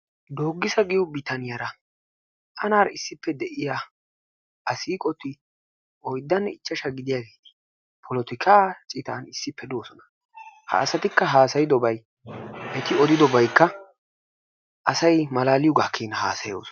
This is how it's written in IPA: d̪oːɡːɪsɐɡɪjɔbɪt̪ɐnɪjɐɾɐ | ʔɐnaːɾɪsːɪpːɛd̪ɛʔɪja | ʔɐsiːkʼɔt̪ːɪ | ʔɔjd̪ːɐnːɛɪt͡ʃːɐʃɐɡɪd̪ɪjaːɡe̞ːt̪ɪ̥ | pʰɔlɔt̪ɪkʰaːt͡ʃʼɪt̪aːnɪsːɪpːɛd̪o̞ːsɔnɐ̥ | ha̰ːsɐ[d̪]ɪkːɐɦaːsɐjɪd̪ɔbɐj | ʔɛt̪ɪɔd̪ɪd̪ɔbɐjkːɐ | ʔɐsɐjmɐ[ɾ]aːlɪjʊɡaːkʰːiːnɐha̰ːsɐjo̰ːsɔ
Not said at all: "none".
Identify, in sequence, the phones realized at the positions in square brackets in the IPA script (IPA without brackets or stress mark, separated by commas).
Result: t̪, l